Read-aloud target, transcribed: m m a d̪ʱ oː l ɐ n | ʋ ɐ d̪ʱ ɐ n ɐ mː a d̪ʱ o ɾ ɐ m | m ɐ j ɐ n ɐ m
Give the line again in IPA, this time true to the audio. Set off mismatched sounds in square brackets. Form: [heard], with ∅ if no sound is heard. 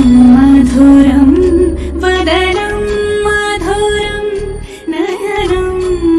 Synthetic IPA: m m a d̪ʱ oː [ɾ] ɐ [m] | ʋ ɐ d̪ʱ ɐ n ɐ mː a d̪ʱ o ɾ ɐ m | [n] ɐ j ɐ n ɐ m